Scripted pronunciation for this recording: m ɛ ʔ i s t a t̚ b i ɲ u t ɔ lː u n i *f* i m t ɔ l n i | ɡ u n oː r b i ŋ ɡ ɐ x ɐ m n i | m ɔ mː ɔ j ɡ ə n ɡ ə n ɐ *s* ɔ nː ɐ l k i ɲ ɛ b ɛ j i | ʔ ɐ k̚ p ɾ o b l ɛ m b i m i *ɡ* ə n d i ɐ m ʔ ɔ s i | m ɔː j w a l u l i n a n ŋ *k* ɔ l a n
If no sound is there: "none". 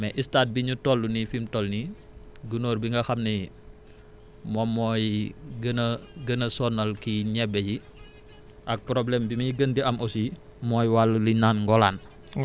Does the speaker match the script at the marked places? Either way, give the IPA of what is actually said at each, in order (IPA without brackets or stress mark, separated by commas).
f, s, ɡ, ɡ